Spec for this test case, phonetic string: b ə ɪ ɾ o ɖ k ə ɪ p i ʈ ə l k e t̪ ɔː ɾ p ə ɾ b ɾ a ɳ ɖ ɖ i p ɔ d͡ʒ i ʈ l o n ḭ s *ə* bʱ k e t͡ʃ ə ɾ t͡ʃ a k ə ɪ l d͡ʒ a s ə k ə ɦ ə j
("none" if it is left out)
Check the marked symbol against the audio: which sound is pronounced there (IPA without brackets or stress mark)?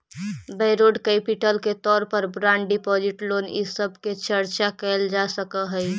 ə